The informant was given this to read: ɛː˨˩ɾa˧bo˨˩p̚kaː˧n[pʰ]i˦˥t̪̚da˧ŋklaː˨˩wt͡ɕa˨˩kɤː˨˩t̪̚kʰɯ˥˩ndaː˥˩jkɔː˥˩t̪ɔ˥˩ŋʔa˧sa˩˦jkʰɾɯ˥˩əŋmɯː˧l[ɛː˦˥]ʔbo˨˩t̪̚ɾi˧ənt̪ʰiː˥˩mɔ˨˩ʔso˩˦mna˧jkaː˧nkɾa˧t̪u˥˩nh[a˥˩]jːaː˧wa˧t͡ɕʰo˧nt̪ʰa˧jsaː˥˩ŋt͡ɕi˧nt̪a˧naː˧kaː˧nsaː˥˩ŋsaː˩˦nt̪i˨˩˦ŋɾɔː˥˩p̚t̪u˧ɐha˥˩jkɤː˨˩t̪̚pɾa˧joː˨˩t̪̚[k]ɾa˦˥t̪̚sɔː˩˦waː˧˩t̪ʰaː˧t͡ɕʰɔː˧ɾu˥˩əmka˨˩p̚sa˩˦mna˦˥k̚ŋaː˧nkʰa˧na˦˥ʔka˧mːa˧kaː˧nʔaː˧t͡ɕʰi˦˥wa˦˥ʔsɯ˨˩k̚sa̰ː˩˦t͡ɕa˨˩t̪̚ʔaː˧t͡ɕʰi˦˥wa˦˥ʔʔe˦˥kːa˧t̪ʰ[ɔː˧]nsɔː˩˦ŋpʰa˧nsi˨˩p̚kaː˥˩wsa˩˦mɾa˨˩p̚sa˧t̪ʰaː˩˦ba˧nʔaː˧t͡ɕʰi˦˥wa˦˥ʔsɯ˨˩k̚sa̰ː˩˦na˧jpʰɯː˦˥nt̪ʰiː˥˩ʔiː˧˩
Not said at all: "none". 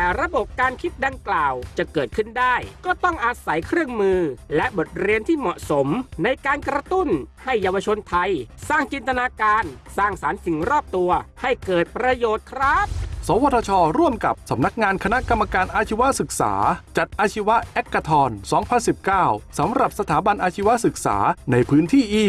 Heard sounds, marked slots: kʰ, ɛ˦˥, a˥˩, kʰ, ɔː˧

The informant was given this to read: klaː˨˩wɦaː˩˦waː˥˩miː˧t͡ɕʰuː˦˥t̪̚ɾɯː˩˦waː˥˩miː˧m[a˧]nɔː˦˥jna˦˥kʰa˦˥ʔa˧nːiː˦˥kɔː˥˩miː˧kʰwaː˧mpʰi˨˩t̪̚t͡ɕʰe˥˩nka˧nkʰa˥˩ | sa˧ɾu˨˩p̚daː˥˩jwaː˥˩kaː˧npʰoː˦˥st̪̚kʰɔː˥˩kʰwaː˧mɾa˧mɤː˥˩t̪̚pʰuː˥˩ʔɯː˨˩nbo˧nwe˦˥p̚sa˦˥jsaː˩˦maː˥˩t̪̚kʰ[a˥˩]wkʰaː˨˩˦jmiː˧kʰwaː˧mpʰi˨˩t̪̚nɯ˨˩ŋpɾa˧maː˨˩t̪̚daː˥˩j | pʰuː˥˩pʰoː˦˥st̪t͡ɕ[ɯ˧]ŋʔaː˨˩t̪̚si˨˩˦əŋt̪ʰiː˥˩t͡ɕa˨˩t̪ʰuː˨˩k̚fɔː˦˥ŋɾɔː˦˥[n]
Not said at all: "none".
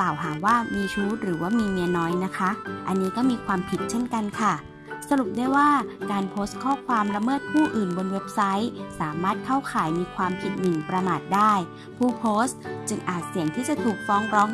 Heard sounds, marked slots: i˧, a˥˩, ɯ˧, ŋ

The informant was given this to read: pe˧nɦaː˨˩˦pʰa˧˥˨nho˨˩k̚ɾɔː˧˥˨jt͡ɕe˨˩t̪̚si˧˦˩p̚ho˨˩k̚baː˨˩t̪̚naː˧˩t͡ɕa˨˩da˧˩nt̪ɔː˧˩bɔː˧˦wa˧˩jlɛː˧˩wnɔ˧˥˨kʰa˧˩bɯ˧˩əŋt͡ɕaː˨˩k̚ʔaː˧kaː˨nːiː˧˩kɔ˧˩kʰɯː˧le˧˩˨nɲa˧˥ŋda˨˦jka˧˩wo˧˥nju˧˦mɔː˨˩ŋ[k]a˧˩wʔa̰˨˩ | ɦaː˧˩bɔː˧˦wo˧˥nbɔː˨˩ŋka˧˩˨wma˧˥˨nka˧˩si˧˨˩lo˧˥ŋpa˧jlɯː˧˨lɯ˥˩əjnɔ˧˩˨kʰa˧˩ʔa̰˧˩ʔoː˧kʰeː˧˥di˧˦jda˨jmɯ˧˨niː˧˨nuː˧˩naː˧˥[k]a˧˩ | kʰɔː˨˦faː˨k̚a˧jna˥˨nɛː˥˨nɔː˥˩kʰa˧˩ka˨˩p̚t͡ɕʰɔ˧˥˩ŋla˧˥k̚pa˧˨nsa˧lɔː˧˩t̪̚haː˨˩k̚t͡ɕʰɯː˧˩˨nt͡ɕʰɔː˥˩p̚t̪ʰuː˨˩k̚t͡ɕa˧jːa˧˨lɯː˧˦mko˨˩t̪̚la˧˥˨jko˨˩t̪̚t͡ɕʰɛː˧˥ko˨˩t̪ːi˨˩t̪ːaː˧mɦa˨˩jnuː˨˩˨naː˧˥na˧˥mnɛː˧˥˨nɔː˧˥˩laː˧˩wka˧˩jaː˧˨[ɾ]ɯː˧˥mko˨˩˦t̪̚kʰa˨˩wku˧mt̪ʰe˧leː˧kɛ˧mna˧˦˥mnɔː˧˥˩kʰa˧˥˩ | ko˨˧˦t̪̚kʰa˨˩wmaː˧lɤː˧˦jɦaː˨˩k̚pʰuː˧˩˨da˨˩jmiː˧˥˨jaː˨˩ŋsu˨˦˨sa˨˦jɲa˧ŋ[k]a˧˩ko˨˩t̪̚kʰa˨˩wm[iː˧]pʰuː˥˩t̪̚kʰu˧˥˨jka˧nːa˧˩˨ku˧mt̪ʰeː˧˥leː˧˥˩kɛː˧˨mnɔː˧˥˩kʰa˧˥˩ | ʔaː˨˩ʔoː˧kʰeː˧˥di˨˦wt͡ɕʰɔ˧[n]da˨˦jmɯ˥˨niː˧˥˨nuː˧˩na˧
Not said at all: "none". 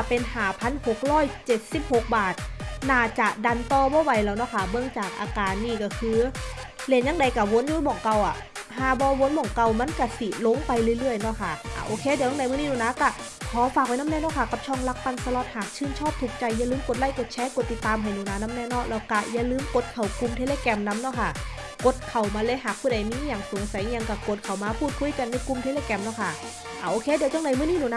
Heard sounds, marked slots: k, k, l, k, aː˧, ŋ

